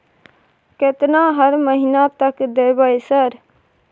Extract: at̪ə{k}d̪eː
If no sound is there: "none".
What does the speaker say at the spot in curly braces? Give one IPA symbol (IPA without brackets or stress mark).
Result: k